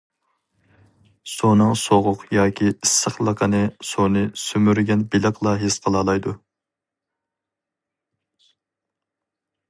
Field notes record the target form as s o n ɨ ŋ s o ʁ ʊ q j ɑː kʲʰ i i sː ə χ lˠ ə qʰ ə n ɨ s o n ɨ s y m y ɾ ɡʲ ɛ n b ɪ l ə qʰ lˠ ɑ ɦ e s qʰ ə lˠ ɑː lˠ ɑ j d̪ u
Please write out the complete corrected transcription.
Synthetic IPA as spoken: s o n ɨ ŋ s o ʁ ʊ q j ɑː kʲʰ i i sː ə χ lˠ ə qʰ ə n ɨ s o n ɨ s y m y ɾ ɡʲ ɛ n b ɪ l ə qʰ lˠ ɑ ɦ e s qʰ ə lˠ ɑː lˠ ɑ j d̪ u